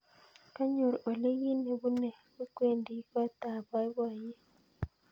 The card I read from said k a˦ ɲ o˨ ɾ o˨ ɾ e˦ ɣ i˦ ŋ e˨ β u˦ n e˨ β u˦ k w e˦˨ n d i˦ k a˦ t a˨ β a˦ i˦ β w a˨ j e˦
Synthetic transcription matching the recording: k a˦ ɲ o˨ ɾ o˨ l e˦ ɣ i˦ n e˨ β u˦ n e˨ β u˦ k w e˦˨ n d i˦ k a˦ t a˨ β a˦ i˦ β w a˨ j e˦